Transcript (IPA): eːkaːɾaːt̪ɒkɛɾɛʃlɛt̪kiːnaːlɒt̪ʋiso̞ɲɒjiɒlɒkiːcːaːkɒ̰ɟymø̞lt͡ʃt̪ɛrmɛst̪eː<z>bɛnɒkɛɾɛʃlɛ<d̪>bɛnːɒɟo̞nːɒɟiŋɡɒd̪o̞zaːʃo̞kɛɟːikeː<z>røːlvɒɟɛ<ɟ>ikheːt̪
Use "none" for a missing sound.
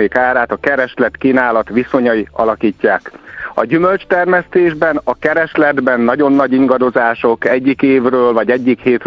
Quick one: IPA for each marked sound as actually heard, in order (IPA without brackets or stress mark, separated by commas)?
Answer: ʒ, d̪, v, ɟː